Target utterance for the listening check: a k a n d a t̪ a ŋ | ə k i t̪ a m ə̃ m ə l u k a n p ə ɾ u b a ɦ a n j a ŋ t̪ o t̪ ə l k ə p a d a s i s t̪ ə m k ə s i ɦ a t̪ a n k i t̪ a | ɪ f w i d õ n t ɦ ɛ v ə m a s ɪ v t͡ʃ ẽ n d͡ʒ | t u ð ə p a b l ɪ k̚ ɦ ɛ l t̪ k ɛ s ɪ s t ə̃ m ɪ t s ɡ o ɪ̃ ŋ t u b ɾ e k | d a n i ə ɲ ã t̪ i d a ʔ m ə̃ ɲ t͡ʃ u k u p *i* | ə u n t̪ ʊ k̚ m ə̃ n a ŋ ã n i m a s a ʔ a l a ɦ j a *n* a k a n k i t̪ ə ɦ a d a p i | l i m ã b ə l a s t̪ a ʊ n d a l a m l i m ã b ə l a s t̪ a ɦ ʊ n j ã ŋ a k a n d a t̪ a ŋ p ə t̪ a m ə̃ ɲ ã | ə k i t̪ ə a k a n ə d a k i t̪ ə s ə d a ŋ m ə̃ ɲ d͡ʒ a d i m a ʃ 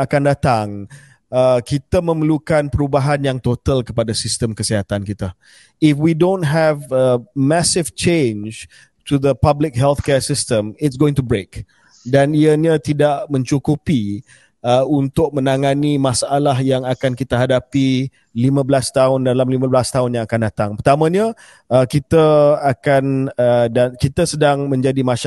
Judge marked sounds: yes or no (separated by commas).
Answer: yes, no